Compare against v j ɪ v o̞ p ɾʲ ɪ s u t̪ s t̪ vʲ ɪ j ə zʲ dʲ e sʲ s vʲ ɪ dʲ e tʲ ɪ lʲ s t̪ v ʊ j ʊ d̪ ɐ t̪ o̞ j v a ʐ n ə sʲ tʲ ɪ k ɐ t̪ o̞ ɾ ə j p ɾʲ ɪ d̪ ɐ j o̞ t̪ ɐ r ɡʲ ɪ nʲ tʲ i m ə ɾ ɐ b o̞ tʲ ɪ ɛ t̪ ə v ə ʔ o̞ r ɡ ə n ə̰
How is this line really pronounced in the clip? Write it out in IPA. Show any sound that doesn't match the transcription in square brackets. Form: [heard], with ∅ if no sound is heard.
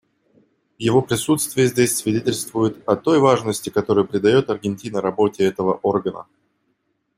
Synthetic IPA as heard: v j ɪ v o̞ p ɾʲ ɪ s u t̪ s t̪ vʲ ɪ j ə zʲ dʲ e sʲ s vʲ ɪ dʲ e tʲ ɪ lʲ s t̪ v ʊ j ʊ [t̪] ɐ t̪ o̞ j v a ʐ n ə sʲ tʲ ɪ k ɐ t̪ o̞ ɾ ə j p ɾʲ ɪ d̪ ɐ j o̞ t̪ ɐ r ɡʲ ɪ nʲ tʲ i [n] ə ɾ ɐ b o̞ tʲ ɪ ɛ t̪ ə v ə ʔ o̞ r ɡ ə n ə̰